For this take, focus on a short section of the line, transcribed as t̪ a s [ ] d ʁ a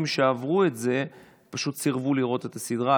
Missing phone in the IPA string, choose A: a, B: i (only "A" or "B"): B